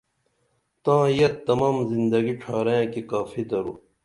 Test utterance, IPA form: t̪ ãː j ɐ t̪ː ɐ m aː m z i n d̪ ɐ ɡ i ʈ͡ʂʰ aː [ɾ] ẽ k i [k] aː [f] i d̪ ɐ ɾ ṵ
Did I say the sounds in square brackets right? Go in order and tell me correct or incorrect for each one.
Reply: correct, correct, correct

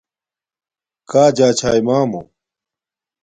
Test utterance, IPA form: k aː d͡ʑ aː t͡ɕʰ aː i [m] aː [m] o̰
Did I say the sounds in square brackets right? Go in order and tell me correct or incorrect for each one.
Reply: correct, correct

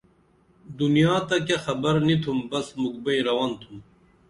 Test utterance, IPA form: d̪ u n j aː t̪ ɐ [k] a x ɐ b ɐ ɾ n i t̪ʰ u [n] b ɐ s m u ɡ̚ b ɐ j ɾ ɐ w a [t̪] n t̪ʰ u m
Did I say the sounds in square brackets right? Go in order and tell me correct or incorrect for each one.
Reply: correct, incorrect: m, incorrect: none

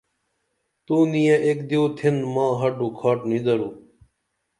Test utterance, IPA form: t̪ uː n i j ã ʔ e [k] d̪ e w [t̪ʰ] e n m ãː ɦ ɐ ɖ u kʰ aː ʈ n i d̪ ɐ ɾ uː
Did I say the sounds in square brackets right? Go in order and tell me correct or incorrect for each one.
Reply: correct, correct

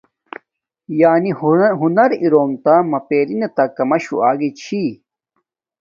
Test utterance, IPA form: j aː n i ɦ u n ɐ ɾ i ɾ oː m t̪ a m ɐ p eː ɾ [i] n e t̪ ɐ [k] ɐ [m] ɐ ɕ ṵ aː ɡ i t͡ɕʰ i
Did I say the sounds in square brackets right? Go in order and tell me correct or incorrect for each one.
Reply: correct, correct, correct

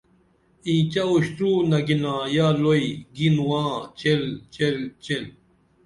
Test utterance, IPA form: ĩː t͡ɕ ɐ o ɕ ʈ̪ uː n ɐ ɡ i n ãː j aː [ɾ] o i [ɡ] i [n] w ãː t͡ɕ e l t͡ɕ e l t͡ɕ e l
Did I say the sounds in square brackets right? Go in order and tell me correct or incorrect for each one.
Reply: incorrect: l, correct, correct

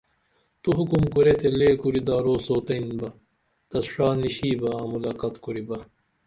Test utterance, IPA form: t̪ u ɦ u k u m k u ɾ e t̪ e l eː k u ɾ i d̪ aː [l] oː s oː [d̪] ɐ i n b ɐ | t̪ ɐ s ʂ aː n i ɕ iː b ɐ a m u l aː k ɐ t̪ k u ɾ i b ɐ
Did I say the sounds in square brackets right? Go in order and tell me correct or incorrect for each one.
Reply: incorrect: ɾ, incorrect: t̪

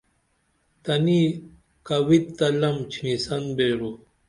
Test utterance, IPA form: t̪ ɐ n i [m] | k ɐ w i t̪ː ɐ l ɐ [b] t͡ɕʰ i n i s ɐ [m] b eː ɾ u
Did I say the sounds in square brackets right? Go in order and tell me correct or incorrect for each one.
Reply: incorrect: none, incorrect: m, incorrect: n

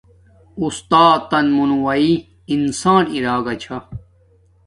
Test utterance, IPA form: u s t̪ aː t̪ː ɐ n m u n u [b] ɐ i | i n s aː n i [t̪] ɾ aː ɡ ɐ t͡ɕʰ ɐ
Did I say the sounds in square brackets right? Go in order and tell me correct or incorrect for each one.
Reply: incorrect: w, incorrect: none

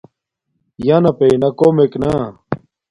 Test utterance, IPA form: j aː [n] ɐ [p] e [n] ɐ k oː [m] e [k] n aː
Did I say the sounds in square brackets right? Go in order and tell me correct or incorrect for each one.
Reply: correct, correct, correct, correct, correct

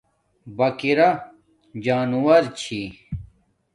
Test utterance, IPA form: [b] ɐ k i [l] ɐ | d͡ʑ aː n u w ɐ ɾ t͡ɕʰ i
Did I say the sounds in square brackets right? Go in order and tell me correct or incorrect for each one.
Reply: correct, incorrect: ɾ

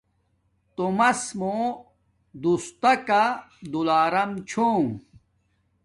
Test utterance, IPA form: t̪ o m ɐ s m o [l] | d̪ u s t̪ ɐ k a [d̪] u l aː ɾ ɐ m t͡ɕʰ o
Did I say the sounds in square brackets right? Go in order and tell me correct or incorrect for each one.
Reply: incorrect: none, correct

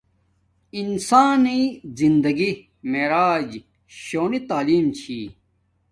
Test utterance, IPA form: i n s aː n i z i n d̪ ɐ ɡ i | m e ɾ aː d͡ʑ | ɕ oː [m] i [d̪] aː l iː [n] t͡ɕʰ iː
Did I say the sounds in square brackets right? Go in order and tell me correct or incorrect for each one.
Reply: incorrect: n, incorrect: t̪, incorrect: m

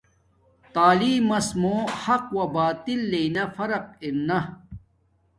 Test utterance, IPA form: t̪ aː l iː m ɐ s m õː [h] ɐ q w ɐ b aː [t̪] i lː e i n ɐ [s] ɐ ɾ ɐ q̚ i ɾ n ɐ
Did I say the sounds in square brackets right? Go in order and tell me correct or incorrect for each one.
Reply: correct, correct, incorrect: f

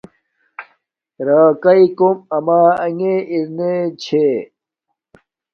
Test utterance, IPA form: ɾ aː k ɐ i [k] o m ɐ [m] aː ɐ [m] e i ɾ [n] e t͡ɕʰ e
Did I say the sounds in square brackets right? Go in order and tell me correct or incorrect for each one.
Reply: correct, correct, incorrect: ŋ, correct

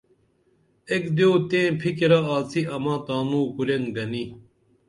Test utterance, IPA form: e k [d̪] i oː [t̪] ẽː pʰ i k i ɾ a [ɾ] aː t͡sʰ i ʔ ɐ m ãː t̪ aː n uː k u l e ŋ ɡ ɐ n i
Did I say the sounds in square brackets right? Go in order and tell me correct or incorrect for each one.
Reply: correct, correct, incorrect: none

